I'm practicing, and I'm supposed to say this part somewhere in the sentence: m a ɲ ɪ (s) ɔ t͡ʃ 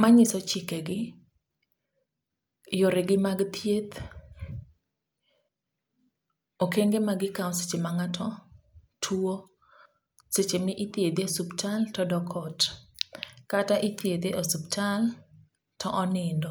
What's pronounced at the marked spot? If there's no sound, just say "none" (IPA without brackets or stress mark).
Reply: s